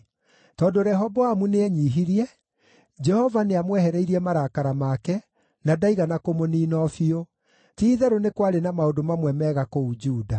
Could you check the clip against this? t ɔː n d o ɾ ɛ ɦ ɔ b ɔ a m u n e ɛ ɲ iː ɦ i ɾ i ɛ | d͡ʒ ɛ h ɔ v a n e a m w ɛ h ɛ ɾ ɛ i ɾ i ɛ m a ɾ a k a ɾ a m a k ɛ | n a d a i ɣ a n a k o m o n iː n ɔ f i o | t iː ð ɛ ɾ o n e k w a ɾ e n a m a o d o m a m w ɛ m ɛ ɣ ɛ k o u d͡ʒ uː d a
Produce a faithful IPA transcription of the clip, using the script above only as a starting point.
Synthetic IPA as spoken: t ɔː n d o ɾ ɛ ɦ ɔ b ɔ a m u n e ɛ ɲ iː ɦ i ɾ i ɛ | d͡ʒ ɛ h ɔ v a n e a m w ɛ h ɛ ɾ ɛ i ɾ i ɛ m a ɾ a k a ɾ a m a k ɛ | n a d a i ɣ a n a k o m o n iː n ɔ f i o | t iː ð ɛ ɾ o n e k w a ɾ e n a m a o d o m a m w ɛ m ɛ ɣ a k o u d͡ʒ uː d a

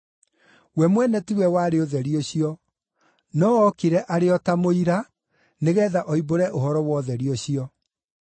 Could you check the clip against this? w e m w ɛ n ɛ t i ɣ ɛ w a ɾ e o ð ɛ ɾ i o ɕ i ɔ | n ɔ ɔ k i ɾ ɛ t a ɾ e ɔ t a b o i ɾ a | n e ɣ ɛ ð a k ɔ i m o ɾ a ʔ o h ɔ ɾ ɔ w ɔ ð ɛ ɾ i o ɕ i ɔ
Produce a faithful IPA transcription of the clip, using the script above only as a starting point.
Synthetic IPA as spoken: w ɛ m w ɛ n ɛ t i w ɛ w a ɾ e o ð ɛ ɾ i o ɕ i ɔ | n ɔ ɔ k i ɾ ɛ ʔ a ɾ e ɔ t a m o i ɾ a | n e ɣ ɛ ð a ʔ ɔ i b o ɾ ɛ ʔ o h ɔ ɾ ɔ w ɔ ð ɛ ɾ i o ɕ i ɔ

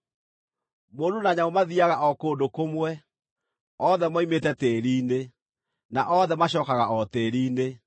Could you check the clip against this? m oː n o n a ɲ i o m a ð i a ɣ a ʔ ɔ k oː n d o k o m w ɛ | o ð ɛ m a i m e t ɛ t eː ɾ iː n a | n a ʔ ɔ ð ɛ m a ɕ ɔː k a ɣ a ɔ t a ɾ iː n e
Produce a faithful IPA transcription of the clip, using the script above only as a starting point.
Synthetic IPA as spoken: m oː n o n a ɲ a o m a ð i a ɣ a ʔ ɔ k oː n d o k o m w ɛ | ɔ ð ɛ m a i m e t ɛ t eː ɾ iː n e | n a ʔ ɔ ð ɛ m a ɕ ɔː k a ɣ a ɔ t e ɾ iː n e

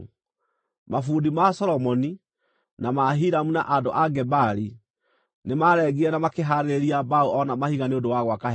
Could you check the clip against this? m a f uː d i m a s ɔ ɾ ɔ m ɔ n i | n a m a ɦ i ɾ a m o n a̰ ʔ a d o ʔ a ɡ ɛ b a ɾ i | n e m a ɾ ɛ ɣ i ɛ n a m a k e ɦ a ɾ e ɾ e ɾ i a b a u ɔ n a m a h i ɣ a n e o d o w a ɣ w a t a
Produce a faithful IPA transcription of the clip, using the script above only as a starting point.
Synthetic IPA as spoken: m a f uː d i m a s ɔ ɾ ɔ m ɔ n i | n a m a ɦ i ɾ a m u n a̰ ʔ a d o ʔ a ɡ ɛ b a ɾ i | n e m a ɾ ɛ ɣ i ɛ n a m a k e ɦ a ɾ e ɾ e ɾ i a b a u ɔ n a m a h i ɣ a n e o d o w a ɣ w a k a

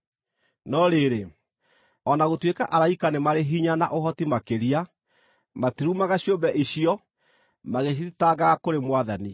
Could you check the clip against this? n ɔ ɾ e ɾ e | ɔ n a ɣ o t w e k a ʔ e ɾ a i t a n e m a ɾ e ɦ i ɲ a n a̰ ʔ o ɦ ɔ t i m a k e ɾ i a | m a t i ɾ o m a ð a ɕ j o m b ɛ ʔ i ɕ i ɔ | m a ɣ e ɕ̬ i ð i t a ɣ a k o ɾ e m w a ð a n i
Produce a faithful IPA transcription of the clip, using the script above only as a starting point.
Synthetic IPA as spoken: n ɔ ɾ e ɾ e | ɔ n a ɣ o t w e k a ʔ a ɾ a i k a n e m a ɾ e ɦ i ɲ a n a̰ ʔ o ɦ ɔ t i m a k e ɾ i a | m a t i ɾ u m a ɣ a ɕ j o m b ɛ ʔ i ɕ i ɔ | m a ɣ e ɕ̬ i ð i t a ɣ a k o ɾ e m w a ð a n i

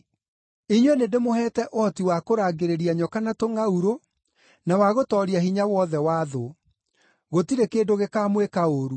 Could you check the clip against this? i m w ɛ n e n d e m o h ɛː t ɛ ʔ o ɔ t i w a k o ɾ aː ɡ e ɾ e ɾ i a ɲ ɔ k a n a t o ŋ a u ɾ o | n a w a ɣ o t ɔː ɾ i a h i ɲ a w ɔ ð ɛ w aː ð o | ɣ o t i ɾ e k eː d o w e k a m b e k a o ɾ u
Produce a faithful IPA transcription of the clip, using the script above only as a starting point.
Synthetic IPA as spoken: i ɲ w ɛ n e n d e m o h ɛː t ɛ ʔ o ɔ t i w a k o ɾ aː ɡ e ɾ e ɾ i a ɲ ɔ k a n a t o ŋ a u ɾ o | n a w a ɣ o t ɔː ɾ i a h i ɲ a w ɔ ð ɛ w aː ð o | ɣ o t i ɾ e k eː d o ɣ e k a m w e k a o ɾ u

